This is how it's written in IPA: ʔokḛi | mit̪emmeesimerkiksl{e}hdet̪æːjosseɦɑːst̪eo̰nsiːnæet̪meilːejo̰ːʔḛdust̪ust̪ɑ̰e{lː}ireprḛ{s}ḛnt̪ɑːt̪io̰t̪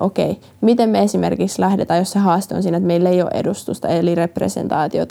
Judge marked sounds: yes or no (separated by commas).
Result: no, no, yes